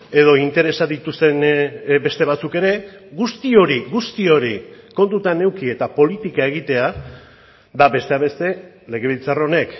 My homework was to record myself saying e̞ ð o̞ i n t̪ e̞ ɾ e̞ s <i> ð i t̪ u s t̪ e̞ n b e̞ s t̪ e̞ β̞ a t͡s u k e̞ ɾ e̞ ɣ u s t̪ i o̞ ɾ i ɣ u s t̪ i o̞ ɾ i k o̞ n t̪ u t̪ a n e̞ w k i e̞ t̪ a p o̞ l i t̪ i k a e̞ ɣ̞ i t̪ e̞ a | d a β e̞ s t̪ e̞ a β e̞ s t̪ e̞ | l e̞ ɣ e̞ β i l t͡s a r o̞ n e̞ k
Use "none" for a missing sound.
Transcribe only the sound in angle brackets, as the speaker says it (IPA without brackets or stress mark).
a